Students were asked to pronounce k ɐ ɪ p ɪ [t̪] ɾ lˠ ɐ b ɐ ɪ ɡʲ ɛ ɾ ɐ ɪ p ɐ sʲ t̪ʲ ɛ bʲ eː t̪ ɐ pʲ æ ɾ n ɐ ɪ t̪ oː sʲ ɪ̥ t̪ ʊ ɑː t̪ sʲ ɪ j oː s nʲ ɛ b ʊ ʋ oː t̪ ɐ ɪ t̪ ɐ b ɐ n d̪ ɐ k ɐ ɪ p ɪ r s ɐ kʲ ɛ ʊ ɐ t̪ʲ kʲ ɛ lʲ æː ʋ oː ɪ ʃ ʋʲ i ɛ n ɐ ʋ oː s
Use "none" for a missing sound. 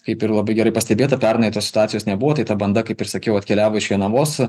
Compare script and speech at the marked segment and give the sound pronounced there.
none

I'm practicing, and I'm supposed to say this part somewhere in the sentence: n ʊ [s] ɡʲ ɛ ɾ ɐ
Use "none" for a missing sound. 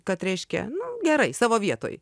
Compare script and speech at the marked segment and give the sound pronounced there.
none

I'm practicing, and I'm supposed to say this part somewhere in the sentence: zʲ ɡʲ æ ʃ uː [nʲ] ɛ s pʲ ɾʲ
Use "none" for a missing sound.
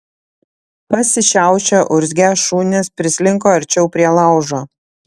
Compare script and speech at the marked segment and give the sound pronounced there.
nʲ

